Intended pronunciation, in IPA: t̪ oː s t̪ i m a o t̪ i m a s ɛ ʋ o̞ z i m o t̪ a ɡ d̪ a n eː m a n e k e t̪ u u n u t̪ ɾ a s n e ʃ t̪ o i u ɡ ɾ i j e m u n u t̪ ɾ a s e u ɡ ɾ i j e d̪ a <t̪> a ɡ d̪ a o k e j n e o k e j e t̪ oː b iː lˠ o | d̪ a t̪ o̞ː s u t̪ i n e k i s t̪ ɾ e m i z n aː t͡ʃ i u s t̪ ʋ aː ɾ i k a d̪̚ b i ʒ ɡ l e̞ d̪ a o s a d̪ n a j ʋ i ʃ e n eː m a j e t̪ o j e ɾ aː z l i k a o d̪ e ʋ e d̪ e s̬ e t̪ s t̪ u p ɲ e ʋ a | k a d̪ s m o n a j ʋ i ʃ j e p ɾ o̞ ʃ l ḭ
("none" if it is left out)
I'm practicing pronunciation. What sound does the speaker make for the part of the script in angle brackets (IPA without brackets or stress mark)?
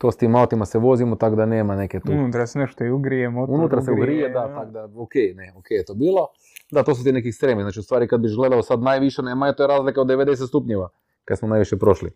t̪